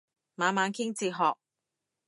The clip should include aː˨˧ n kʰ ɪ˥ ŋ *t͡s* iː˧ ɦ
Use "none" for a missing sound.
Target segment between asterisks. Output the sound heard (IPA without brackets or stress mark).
t͡s